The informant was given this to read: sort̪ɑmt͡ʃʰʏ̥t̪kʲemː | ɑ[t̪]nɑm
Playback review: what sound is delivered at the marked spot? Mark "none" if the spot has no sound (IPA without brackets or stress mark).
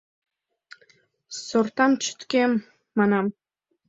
none